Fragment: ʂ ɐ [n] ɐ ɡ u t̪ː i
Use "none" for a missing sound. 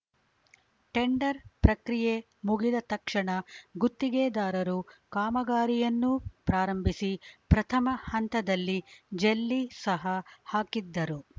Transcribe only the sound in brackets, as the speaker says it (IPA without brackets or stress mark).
ɳ